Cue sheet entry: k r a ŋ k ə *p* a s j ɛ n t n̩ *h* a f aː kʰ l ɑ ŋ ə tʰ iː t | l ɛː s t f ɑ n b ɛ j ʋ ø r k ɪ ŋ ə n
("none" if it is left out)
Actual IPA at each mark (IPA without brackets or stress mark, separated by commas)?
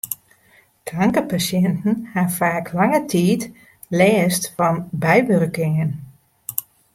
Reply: p, h